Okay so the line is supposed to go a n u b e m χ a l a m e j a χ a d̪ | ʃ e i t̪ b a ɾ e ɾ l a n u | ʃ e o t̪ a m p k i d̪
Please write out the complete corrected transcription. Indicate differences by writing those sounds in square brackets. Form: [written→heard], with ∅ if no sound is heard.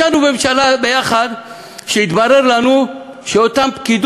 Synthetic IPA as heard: a n u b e m [χ→ʃ] a l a [m→b] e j a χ a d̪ | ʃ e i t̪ b a ɾ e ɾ l a n u | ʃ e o t̪ a m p k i d̪